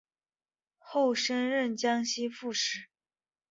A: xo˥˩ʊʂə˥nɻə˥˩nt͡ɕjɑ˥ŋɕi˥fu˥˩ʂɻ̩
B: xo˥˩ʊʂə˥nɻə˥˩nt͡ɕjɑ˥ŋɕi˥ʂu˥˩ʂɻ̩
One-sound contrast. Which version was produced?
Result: A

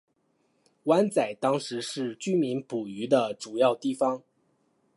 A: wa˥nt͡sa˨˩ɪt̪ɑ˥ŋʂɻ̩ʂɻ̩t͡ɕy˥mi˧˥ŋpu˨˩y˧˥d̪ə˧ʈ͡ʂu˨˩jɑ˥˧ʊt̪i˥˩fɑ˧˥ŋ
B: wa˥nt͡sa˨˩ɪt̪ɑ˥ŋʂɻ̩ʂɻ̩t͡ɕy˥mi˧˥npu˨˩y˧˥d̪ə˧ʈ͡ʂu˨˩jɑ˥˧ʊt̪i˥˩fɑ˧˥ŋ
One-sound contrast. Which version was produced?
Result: B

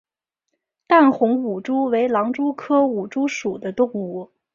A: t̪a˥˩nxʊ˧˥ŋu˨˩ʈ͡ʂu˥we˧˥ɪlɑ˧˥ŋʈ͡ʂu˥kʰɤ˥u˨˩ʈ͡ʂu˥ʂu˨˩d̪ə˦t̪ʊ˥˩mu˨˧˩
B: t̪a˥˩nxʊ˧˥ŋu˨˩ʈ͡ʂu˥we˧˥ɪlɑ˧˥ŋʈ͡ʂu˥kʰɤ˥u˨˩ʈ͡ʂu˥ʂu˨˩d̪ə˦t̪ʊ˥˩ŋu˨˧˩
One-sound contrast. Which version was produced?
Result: B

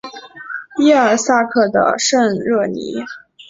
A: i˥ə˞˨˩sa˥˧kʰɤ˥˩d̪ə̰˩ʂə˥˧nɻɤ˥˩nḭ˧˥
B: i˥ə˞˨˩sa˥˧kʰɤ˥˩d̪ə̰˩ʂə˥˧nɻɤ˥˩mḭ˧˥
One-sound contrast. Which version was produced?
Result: A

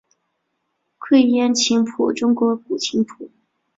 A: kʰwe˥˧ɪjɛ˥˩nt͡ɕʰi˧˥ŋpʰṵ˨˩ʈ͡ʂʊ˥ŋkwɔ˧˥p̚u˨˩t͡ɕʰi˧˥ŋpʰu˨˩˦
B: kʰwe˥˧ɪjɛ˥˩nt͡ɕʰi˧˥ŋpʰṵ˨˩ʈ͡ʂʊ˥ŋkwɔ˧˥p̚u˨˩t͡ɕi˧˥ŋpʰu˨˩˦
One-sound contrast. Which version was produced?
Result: A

